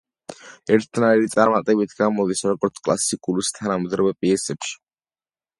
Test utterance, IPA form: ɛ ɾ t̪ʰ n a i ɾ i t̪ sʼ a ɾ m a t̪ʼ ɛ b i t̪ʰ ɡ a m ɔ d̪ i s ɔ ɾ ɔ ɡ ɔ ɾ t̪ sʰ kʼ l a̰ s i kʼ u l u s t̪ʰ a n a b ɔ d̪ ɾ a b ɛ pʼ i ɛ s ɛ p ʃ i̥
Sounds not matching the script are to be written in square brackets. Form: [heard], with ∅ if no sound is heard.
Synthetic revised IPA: ɛ ɾ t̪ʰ n a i ɾ i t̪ sʼ a ɾ m a t̪ʼ ɛ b i t̪ʰ ɡ a m ɔ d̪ i s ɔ ɾ ɔ ɡ ɔ ɾ t̪ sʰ kʼ l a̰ s i kʼ u l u s t̪ʰ a n a [m] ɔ d̪ ɾ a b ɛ pʼ i ɛ s ɛ p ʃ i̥